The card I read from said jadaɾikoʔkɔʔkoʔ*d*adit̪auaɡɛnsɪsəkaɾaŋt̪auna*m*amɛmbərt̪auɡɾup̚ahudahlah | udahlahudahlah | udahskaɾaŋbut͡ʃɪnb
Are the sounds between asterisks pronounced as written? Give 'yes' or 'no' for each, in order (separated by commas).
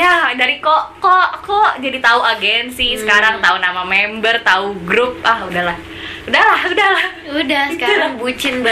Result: no, yes